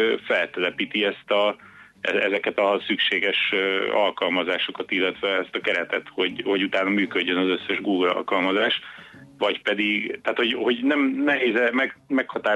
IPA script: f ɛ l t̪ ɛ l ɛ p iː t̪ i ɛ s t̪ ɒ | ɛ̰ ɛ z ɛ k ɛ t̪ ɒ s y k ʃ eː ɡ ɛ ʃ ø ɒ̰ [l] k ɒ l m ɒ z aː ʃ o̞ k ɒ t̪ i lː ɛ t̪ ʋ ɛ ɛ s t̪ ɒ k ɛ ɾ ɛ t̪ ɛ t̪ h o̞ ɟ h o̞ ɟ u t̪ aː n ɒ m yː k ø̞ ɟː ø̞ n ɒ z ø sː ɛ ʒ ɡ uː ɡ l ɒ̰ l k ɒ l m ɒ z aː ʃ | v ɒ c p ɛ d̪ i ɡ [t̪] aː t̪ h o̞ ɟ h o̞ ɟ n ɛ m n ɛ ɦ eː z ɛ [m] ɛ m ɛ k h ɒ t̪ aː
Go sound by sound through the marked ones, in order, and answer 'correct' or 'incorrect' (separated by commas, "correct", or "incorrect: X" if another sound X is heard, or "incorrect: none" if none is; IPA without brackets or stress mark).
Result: correct, correct, correct